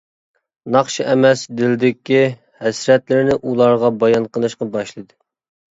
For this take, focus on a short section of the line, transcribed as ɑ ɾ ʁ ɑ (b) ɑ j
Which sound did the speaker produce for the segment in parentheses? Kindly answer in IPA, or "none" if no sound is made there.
b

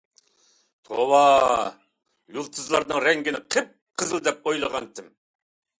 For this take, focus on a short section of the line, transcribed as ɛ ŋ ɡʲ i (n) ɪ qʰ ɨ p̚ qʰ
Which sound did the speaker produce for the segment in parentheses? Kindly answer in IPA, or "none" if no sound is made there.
n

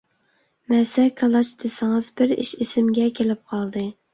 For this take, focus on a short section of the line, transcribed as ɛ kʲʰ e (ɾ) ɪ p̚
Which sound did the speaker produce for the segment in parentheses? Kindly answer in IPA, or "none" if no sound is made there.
l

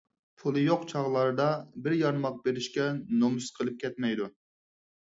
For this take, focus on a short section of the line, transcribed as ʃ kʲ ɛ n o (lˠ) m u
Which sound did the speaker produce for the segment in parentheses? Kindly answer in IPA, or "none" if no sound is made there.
none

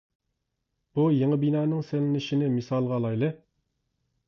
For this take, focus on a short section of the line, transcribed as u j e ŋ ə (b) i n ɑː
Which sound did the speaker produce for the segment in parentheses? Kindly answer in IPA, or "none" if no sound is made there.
b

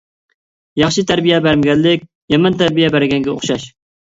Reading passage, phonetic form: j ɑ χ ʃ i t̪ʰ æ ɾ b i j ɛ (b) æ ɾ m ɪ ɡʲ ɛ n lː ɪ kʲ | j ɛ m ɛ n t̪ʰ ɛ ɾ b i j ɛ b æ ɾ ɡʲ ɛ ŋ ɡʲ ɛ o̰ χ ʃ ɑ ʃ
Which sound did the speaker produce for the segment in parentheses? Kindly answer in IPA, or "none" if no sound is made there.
b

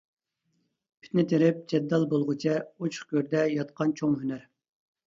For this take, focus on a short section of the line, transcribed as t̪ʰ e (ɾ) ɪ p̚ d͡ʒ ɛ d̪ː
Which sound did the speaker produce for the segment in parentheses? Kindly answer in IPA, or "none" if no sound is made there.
ɾ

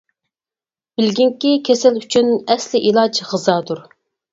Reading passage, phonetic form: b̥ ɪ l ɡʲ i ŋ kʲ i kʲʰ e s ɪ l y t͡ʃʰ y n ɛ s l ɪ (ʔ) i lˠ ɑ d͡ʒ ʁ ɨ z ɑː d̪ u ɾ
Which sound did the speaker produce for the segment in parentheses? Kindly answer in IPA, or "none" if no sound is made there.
ʔ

